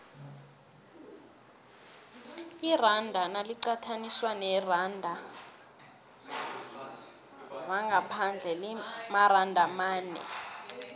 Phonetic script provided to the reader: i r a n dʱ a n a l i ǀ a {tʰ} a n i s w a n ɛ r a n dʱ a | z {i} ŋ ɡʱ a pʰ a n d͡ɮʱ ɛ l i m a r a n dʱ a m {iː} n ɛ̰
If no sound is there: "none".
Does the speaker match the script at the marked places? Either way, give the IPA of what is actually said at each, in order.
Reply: tʰ, a, aː

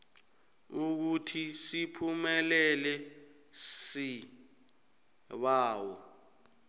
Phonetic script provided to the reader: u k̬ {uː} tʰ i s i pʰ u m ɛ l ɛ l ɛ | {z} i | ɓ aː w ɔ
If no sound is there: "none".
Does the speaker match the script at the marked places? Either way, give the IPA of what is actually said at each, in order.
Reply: u, s

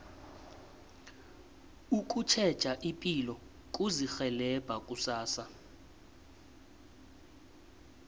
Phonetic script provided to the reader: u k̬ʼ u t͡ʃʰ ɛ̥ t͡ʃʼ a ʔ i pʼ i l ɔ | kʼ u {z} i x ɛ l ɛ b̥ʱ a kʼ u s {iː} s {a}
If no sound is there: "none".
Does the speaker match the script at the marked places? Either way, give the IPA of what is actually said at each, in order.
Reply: z, aː, a

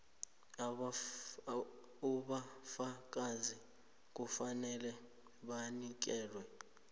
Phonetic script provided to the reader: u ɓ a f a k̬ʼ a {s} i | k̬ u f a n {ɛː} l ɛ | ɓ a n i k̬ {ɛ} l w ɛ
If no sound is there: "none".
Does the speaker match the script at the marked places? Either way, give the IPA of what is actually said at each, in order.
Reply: z, ɛ, ɛː

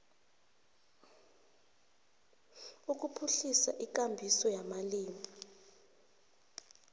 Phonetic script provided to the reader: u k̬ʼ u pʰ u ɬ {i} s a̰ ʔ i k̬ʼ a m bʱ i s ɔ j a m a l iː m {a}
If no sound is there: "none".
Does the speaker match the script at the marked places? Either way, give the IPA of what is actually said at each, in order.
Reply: i, i

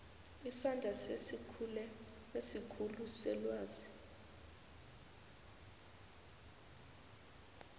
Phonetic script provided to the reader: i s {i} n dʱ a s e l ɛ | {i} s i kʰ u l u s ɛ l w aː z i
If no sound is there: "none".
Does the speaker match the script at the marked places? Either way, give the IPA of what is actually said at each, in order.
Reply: a, e

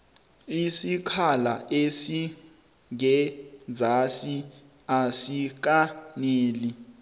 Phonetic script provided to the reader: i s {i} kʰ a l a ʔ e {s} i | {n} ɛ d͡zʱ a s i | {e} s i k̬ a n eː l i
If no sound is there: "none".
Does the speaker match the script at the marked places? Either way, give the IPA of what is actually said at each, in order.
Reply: i, s, ŋ, a

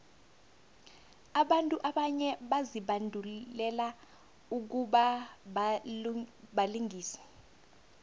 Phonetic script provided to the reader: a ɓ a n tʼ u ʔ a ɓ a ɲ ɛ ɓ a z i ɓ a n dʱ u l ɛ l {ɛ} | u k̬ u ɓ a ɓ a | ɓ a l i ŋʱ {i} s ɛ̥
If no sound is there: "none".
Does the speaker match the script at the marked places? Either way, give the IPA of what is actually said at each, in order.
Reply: a, iː

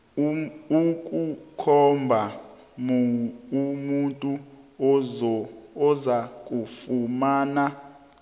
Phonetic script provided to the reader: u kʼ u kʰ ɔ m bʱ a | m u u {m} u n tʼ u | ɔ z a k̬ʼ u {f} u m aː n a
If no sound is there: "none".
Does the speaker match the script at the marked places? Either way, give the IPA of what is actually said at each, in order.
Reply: m, f

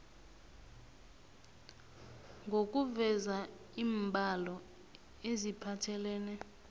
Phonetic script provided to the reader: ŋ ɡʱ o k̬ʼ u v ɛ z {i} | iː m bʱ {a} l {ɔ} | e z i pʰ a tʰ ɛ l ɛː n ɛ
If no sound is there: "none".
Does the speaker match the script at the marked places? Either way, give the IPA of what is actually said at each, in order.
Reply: a, a, ɔ

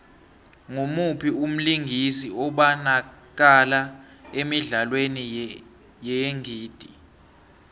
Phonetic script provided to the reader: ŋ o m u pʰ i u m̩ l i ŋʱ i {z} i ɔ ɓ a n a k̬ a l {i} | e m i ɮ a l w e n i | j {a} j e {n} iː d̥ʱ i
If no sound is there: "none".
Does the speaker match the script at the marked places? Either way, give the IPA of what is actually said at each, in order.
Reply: s, a, ɛ, ŋ

